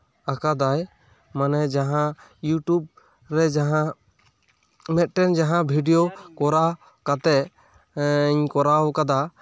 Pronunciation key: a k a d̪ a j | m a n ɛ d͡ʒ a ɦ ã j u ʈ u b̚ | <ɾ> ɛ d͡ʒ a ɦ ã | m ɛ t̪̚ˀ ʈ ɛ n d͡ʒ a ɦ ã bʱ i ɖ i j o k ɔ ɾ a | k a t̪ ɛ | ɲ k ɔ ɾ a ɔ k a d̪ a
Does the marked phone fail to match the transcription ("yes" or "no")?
no